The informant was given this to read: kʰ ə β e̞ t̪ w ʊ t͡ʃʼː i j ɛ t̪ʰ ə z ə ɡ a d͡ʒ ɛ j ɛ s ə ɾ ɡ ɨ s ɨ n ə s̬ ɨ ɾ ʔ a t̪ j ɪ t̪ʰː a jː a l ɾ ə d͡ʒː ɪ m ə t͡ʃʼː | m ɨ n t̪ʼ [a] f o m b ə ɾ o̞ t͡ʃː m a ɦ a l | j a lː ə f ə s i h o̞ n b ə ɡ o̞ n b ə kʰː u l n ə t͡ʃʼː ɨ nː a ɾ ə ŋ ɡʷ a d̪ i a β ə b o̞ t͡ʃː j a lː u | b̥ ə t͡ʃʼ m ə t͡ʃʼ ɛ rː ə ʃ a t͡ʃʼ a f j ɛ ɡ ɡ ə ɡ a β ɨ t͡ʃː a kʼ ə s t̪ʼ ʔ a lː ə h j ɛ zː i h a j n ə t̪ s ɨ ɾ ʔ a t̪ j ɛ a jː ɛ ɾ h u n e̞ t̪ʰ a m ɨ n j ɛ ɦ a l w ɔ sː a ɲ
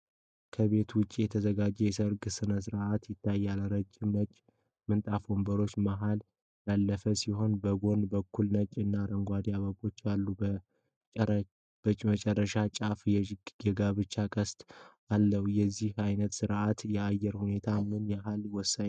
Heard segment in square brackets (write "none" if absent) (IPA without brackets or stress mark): a